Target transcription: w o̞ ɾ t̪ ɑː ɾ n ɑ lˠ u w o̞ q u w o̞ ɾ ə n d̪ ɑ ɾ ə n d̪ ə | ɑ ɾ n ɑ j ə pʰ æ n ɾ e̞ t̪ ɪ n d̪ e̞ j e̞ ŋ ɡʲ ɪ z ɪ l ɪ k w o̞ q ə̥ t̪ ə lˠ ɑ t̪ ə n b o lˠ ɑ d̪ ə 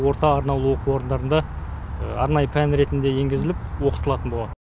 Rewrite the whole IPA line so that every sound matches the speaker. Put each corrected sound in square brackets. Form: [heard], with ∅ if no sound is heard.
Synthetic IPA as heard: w o̞ ɾ t̪ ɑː ɾ n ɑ lˠ u w o̞ q u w o̞ ɾ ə n d̪ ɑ ɾ ə n d̪ [ɑ] | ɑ ɾ n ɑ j ə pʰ æ n ɾ e̞ t̪ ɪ n d̪ e̞ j e̞ ŋ ɡʲ ɪ z ɪ l ɪ [p] w o̞ q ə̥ t̪ ə lˠ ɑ t̪ ə n b o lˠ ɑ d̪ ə